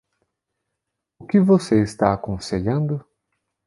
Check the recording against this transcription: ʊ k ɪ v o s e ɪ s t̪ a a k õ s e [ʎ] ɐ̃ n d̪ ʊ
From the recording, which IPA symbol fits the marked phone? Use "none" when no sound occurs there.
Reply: ʎ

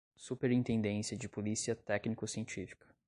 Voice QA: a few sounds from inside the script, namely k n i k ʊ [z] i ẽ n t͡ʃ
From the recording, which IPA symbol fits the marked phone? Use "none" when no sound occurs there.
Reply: s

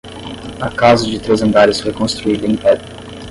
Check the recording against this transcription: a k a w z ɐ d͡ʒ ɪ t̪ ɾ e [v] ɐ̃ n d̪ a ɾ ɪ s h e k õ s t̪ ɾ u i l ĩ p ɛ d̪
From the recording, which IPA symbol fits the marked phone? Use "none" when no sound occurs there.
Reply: z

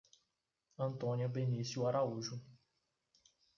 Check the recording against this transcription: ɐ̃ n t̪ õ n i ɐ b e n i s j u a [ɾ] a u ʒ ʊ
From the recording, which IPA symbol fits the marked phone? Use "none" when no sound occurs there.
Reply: ɾ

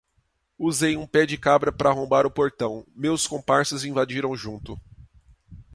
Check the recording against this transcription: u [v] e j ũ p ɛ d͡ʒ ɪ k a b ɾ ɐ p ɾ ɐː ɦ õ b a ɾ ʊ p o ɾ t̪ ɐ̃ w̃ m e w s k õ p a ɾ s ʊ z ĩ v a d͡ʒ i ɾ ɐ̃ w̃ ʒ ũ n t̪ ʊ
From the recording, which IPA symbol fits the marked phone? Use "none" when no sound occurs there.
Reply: z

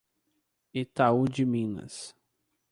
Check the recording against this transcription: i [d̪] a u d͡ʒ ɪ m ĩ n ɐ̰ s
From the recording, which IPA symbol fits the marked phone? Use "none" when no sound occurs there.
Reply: t̪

